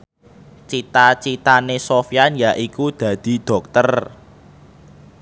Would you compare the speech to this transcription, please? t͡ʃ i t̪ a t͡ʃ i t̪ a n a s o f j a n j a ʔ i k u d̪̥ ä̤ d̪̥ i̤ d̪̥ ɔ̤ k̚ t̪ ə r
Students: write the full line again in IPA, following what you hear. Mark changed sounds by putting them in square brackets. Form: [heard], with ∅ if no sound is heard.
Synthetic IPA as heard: t͡ʃ i t̪ a t͡ʃ i t̪ a n [e] s o f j a n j a ʔ i k u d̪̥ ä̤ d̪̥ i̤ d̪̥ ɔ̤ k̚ t̪ ə r